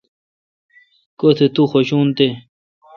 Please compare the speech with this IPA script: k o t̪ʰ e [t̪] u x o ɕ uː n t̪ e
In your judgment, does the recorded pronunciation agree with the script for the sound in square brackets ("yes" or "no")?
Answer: yes